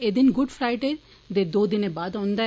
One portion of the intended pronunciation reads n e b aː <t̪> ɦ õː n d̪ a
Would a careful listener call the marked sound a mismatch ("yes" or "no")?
yes